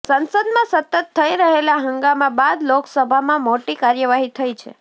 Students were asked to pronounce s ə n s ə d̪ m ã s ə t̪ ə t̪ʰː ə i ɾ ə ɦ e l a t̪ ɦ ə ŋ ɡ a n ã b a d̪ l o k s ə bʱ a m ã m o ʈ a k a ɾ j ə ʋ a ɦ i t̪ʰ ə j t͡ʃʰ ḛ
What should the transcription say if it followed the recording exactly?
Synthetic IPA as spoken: s ə n s ə d̪ m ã s ə t̪ ə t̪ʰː ə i ɾ ə ɦ e l a ɦ ə ŋ ɡ a m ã b a d̪ l o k s ə bʱ a m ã m o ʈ i k a ɾ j ə ʋ a ɦ i t̪ʰ ə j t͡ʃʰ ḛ